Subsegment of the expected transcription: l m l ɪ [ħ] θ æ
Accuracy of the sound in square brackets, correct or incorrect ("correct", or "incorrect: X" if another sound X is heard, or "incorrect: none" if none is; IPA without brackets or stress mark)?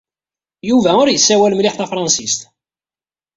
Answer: correct